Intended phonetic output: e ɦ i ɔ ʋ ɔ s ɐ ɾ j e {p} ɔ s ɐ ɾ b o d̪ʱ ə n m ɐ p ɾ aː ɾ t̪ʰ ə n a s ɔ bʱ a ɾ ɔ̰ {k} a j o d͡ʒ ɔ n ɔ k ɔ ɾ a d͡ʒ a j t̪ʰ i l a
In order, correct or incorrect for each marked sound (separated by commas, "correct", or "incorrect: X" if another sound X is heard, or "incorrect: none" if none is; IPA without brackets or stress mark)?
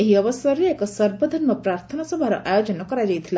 incorrect: k, incorrect: ʔ